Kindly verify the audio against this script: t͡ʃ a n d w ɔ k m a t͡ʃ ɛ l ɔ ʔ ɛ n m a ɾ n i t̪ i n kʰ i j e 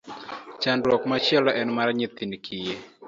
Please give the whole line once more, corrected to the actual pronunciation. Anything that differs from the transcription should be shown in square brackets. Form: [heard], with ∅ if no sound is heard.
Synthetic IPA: t͡ʃ a n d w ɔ k m a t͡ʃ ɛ l ɔ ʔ ɛ n m a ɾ [ɲ] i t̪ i n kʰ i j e